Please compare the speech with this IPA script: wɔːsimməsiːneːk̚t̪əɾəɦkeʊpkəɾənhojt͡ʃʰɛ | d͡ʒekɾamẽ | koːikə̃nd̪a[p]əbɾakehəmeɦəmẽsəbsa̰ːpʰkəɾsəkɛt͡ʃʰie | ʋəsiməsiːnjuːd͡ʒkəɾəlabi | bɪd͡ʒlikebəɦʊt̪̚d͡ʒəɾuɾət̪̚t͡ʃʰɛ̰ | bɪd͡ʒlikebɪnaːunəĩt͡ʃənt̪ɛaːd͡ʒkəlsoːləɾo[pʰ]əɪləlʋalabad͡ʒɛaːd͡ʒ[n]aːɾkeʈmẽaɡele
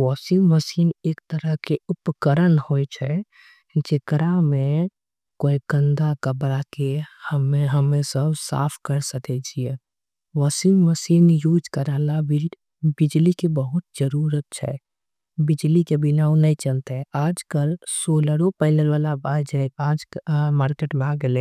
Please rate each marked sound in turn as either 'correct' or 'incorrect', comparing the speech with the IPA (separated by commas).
incorrect, incorrect, incorrect